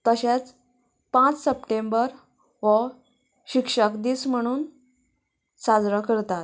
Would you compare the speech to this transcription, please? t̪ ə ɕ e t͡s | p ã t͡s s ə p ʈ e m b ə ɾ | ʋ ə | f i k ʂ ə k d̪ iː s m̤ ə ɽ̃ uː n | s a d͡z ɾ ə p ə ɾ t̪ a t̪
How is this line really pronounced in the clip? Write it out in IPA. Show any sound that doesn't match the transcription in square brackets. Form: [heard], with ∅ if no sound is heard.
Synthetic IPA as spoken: t̪ ə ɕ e t͡s | p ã t͡s s ə p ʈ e m b ə ɾ | ʋ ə | [ɕ] i k ʂ ə k d̪ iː s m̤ ə ɽ̃ uː n | s a d͡z ɾ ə [k] ə ɾ t̪ a t̪